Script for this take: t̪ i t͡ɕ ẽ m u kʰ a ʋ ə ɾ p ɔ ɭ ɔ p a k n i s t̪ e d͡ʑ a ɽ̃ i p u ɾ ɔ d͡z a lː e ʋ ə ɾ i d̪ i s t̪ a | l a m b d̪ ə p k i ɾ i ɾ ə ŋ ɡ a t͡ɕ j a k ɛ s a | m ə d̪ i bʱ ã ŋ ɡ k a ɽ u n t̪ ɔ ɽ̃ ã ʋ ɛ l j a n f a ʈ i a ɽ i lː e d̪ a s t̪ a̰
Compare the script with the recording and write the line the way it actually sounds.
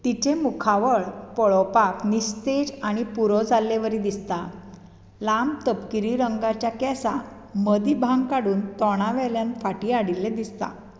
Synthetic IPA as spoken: t̪ i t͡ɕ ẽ m u kʰ a ʋ ə ɭ p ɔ ɭ ɔ p a k n i s t̪ e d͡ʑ a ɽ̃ i p u ɾ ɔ d͡z a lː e ʋ ə ɾ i d̪ i s t̪ a | l a m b t̪ ə p k i ɾ i ɾ ə ŋ ɡ a t͡ɕ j a k ɛ s a | m ə d̪ i bʱ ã ŋ ɡ k a ɽ uː n t̪ ɔ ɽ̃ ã ʋ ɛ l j a n f a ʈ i a ɽ i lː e d̪ i s t̪ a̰